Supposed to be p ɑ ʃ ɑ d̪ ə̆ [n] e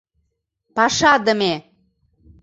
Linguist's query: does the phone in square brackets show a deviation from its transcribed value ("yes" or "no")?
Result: yes